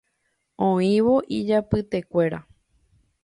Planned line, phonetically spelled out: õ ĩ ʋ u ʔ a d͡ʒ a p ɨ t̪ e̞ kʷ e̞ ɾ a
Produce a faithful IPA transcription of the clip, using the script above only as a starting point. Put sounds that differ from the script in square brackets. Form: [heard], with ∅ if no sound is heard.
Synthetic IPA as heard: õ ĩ ʋ [o] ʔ [i] d͡ʒ a p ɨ t̪ e̞ kʷ e̞ ɾ a